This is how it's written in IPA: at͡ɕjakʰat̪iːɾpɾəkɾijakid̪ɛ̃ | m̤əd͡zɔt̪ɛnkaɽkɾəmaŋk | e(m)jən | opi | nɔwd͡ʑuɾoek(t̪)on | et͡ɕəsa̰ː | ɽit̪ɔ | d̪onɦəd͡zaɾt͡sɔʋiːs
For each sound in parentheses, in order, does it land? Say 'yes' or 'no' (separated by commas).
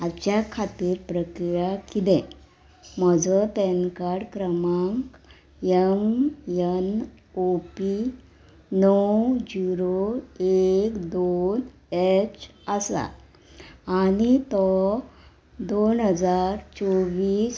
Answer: yes, no